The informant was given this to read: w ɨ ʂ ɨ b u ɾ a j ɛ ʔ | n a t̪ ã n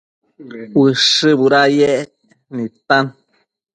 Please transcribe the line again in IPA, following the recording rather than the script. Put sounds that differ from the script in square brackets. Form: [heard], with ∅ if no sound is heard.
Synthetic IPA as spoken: w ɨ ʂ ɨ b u ɾ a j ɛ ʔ | n [i] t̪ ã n